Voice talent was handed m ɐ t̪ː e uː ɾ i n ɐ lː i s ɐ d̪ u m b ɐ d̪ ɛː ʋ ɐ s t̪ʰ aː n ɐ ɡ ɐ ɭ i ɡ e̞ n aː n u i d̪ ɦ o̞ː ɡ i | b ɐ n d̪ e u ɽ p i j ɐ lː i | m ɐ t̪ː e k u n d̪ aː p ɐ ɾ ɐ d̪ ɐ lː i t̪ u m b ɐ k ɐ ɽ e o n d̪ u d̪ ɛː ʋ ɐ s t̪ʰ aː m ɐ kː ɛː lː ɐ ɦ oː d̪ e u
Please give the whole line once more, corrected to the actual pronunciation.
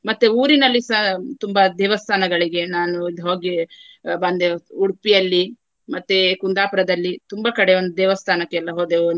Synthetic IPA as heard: m ɐ t̪ː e uː ɾ i n ɐ lː i s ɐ t̪ u m b ɐ d̪ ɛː ʋ ɐ s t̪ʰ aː n ɐ ɡ ɐ ɭ i ɡ e̞ n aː n u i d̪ ɦ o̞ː ɡ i | b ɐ n d̪ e u ɽ p i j ɐ lː i | m ɐ t̪ː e k u n d̪ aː p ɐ ɾ ɐ d̪ ɐ lː i t̪ u m b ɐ k ɐ ɽ e o n d̪ u d̪ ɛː ʋ ɐ s t̪ʰ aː n ɐ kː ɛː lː ɐ ɦ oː d̪ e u